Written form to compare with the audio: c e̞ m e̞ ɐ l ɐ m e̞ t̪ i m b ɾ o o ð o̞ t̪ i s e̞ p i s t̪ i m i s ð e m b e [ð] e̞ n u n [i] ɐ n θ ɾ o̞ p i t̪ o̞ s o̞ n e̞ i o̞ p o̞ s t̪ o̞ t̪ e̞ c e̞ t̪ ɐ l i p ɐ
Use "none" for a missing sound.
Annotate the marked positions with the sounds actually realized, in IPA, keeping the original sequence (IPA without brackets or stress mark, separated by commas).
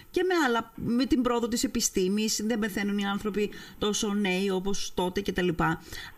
θ, i